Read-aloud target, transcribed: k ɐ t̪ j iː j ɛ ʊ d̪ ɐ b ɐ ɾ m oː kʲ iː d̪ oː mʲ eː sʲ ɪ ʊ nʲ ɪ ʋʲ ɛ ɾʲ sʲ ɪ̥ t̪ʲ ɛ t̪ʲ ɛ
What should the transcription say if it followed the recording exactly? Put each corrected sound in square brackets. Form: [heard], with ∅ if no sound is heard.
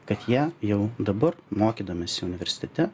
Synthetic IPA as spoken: k ɐ t̪ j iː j ɛ ʊ d̪ ɐ b ɐ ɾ m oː kʲ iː d̪ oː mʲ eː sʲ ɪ ʊ nʲ ɪ ʋʲ ɛ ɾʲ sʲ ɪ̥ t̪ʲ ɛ t̪ʲ ɛ